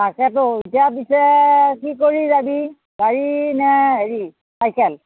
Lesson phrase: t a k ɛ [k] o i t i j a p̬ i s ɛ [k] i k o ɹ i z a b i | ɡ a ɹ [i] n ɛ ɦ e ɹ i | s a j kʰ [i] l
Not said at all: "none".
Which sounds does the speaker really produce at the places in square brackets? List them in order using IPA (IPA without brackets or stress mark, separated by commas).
t, k, i, ɛ